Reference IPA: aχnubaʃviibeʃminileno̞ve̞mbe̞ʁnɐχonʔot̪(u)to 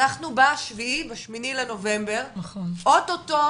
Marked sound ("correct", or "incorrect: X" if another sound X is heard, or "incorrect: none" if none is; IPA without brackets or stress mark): incorrect: o